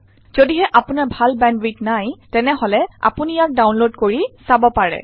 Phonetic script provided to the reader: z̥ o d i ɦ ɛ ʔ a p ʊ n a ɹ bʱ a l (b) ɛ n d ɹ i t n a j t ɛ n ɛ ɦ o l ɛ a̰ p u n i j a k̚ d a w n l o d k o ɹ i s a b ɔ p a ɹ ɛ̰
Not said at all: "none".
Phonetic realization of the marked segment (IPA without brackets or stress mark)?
b